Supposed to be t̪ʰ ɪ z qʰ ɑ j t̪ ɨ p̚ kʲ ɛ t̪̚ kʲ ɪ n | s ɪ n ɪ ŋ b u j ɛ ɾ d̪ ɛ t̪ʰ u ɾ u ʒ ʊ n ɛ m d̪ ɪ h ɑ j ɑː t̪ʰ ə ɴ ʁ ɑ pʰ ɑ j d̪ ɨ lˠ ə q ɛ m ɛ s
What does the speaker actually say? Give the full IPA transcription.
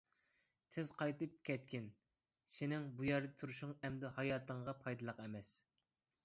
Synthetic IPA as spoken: t̪ʰ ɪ z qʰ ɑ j t̪ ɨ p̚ kʲ ɛ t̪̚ kʲ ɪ n | s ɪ n ɪ ŋ b u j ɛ ɾ d̪ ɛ t̪ʰ u ɾ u ʃ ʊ ŋ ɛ m d̪ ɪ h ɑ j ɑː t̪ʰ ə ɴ ʁ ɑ pʰ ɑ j d̪ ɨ lˠ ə q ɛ m ɛ s